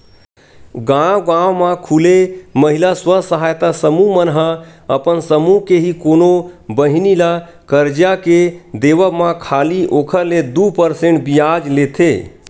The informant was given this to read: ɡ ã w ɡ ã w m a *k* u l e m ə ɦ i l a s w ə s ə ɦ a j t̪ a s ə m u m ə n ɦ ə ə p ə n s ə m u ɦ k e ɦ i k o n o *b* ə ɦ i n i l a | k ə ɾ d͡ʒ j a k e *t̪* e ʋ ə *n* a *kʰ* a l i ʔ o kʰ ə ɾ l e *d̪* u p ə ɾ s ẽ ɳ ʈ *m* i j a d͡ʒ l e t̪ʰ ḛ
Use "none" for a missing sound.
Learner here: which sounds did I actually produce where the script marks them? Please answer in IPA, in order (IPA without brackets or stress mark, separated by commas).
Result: kʰ, b, d̪, m, kʰ, d̪, b